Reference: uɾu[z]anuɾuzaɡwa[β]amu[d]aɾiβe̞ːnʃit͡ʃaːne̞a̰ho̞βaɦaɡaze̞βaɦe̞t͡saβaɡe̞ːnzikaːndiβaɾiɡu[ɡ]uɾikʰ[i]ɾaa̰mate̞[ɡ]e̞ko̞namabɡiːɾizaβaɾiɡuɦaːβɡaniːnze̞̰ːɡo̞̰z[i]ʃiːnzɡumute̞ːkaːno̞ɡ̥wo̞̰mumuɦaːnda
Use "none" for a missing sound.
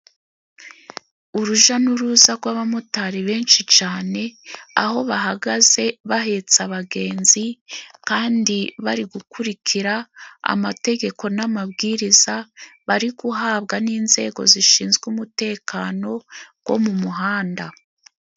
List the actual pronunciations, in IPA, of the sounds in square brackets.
ʒ, β, t, k, i, ɡ, i

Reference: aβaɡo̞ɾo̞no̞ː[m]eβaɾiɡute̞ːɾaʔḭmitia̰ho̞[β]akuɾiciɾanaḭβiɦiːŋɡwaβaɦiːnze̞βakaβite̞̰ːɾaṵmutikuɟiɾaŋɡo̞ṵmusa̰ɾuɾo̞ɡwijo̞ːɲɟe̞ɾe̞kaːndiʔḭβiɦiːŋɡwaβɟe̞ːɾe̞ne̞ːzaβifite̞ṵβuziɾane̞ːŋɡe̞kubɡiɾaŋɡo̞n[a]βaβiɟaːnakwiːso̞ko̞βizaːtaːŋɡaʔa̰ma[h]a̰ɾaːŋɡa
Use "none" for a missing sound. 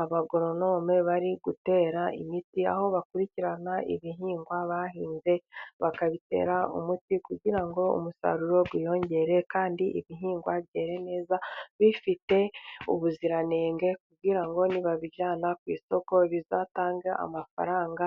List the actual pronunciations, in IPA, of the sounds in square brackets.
m, β, i, f

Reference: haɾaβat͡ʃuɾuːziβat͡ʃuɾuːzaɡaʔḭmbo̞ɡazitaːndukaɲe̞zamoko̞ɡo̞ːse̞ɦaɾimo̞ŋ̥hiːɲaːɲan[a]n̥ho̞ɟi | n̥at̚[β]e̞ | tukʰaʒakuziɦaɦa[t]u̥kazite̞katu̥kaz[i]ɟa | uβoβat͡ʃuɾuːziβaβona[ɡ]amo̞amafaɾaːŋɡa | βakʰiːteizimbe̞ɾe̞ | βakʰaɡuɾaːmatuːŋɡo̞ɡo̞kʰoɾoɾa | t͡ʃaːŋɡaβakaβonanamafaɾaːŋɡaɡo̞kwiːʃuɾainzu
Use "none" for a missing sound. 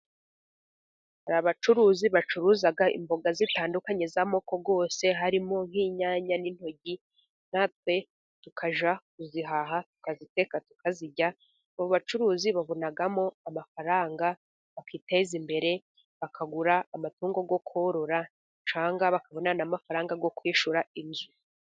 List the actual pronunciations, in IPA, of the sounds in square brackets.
i, w, t, i, ɡ

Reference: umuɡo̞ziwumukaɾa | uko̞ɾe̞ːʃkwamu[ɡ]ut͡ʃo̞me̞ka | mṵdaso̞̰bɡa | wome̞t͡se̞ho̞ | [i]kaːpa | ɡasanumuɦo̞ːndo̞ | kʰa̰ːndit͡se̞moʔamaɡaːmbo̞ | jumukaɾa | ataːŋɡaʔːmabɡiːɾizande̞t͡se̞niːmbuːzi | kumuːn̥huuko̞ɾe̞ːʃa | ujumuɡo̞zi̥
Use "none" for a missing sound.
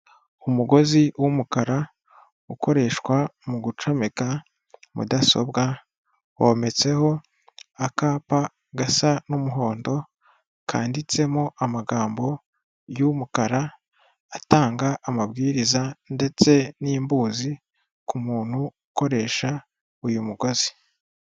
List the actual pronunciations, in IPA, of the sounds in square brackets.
ɡ, a

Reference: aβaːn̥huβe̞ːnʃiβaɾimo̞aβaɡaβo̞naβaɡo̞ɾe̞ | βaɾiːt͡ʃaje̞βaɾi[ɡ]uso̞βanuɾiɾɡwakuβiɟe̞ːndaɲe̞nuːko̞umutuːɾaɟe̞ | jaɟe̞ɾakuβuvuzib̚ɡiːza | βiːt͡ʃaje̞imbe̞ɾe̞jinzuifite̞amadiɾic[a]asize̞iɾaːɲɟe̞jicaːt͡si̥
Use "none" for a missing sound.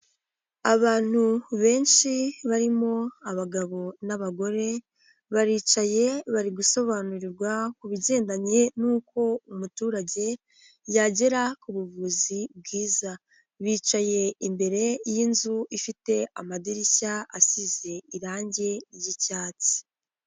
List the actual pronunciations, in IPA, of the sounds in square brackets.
ɡ, a

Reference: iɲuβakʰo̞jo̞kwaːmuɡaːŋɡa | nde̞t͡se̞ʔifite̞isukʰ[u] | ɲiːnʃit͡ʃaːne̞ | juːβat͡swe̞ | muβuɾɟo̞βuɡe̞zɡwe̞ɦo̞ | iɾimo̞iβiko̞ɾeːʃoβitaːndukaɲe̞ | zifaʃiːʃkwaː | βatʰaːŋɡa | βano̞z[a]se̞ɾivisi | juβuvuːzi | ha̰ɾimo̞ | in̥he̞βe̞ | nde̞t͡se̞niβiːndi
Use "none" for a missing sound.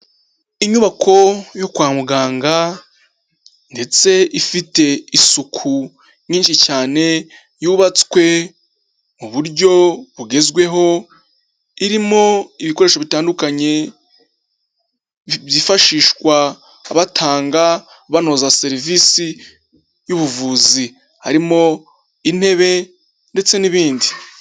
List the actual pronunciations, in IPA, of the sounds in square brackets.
u, a

